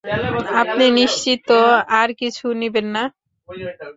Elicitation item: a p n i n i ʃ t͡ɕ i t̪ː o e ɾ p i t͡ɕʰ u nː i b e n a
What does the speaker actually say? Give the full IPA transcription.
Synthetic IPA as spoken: a p n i n i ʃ t͡ɕ i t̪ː o a ɾ k i t͡ɕʰ u n i b e nː a